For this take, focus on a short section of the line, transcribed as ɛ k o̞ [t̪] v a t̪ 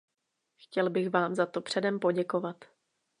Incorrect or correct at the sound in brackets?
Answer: incorrect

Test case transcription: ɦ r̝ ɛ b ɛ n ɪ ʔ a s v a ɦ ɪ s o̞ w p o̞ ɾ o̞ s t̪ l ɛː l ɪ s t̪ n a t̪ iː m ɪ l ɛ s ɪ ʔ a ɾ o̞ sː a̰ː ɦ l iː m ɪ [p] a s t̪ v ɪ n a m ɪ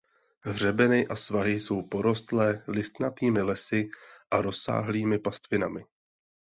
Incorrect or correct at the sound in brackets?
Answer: correct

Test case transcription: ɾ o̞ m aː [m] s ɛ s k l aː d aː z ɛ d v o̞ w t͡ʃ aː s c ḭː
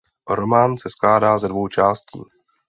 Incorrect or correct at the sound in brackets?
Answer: incorrect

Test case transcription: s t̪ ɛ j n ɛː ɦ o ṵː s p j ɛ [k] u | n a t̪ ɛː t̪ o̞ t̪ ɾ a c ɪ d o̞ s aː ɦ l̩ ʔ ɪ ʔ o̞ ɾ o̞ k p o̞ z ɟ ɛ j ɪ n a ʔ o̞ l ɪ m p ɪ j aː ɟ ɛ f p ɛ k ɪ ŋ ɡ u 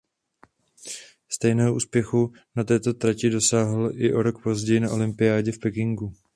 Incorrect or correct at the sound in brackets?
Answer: incorrect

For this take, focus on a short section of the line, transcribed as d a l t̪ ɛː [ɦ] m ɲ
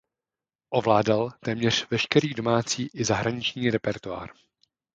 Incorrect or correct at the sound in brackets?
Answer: incorrect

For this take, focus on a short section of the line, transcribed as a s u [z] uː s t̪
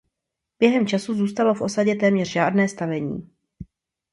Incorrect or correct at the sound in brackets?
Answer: correct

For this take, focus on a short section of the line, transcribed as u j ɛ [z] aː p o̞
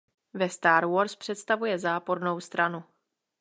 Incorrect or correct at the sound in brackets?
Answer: correct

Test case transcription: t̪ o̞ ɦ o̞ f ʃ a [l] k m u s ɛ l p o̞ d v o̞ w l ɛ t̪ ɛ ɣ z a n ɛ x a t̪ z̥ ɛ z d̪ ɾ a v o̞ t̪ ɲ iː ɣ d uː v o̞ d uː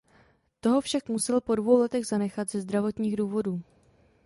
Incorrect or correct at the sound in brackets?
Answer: incorrect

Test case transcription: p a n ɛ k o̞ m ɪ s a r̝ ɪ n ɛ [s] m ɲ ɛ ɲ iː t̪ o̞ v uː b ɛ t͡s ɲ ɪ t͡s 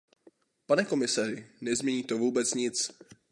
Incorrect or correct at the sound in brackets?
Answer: incorrect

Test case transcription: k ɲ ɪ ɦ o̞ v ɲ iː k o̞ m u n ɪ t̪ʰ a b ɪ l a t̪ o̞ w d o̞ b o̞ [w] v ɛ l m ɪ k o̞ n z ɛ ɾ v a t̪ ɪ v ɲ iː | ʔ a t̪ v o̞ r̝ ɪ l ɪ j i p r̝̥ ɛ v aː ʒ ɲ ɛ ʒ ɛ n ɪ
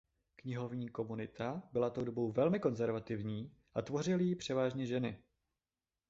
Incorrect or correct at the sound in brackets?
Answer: correct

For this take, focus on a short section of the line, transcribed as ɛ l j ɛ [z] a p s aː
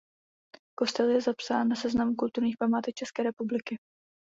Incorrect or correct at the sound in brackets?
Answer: correct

